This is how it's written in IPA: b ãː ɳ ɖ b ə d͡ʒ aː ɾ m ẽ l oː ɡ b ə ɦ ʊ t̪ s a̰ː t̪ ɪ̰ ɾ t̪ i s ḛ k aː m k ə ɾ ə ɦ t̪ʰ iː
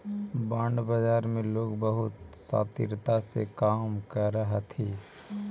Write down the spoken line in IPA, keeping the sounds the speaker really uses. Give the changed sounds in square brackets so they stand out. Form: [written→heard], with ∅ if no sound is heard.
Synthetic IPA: b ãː ɳ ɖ b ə d͡ʒ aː ɾ m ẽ l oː ɡ b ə ɦ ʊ t̪ s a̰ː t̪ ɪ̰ ɾ t̪ [i→a] s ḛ k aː m k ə ɾ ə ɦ t̪ʰ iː